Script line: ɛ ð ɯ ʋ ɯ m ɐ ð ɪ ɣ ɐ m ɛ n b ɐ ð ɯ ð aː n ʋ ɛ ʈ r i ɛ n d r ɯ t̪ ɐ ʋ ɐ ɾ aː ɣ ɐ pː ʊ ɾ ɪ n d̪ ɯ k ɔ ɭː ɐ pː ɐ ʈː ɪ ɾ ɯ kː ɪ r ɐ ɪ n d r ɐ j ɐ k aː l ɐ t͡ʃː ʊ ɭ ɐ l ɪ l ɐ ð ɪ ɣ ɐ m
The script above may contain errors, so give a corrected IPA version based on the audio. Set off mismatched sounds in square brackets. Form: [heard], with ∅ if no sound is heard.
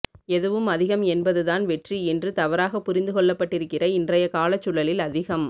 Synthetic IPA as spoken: ɛ ð ɯ ʋ ɯ m ɐ ð ɪ ɣ ɐ m ɛ n b ɐ ð ɯ ð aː n ʋ ɛ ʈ r i ɛ n d r ɯ t̪ ɐ ʋ ɐ ɾ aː ɣ ɐ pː ʊ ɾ ɪ n d̪ ɯ k ɔ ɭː ɐ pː ɐ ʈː ɪ ɾ ɯ kː ɪ r ɐ ɪ n d r ɐ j ɐ k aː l ɐ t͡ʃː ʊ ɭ ɐ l ɪ l ɐ ð ɪ ɣ ɐ m